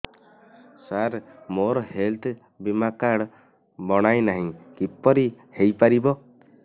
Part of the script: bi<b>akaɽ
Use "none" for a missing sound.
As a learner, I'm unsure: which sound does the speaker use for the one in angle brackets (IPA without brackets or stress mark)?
m